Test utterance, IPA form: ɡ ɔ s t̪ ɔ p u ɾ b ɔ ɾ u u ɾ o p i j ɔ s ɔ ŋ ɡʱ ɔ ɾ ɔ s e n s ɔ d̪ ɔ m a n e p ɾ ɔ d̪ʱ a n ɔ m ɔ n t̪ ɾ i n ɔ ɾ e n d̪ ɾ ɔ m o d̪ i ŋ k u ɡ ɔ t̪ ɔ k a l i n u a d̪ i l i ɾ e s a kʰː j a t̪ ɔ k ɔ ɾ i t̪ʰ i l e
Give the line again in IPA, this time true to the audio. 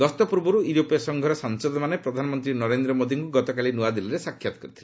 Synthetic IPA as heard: ɡ ɔ s t̪ ɔ p u ɾ b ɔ ɾ u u ɾ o p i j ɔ s ɔ ŋ ɡʱ ɔ ɾ ɔ s a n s ɔ d̪ ɔ m a n e p ɾ ɔ d̪ʱ a n ɔ m ɔ n t̪ ɾ i n ɔ ɾ e n d̪ ɾ ɔ m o d̪ i ŋ k u ɡ ɔ t̪ ɔ k a l i n u a d̪ i l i ɾ e s a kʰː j a t̪ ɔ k ɔ ɾ i t̪ʰ i l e

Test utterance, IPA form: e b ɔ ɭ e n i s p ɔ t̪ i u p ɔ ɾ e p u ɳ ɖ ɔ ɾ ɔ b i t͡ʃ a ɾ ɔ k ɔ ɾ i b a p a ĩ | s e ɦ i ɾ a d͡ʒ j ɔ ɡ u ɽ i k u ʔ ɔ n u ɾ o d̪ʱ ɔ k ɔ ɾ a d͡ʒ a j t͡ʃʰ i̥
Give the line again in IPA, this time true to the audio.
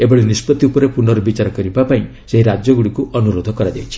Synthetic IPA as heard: e b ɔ ɭ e n i s p ɔ t̪ i u p ɔ ɾ e p u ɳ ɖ ɔ ɾ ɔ b i t͡ʃ a ɾ ɔ k ɔ ɾ i b a p a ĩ | s e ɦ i ɾ a d͡ʒ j ɔ ɡ u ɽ i k u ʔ ɔ n u ɾ o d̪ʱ ɔ k ɔ ɾ a d͡ʒ a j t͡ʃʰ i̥

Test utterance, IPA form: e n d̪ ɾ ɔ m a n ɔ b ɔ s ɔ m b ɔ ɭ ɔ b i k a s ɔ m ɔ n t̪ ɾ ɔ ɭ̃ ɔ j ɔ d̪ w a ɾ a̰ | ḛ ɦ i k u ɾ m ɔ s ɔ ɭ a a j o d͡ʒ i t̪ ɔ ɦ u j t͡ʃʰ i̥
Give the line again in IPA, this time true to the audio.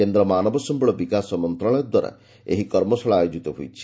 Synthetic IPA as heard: e n d̪ ɾ ɔ m a n ɔ b ɔ s ɔ m b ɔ ɭ ɔ b i k a s ɔ m ɔ n t̪ ɾ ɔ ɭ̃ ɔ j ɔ d̪ w a ɾ a̰ | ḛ ɦ i k ɔ ɾ m ɔ s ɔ ɭ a a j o d͡ʒ i t̪ ɔ ɦ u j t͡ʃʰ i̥

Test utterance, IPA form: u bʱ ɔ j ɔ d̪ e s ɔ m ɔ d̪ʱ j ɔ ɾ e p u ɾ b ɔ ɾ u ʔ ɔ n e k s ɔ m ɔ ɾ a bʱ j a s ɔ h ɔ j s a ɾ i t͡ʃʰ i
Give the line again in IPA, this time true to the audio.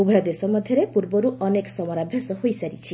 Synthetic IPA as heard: u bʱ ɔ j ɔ d̪ e s ɔ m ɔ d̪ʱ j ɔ ɾ e p u ɾ b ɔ ɾ u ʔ ɔ n e k s ɔ m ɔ ɾ a bʱ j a s ɔ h o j s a ɾ i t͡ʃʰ i

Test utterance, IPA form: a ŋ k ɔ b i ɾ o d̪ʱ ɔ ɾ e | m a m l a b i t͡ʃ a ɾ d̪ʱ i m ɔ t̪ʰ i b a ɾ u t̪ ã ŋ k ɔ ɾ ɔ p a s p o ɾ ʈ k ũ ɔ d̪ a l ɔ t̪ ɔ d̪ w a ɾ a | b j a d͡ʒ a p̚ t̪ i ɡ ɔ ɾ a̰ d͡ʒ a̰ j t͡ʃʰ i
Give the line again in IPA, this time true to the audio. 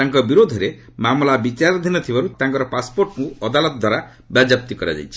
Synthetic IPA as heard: a ŋ k ɔ b i ɾ o d̪ʱ ɔ ɾ e | m a m l a b i t͡ʃ a ɾ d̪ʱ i n ɔ t̪ʰ i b a ɾ u t̪ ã ŋ k ɔ ɾ ɔ p a s p o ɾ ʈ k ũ ɔ d̪ a l ɔ t̪ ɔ d̪ w a ɾ a | b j a d͡ʒ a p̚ t̪ i k ɔ ɾ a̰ d͡ʒ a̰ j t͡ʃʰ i

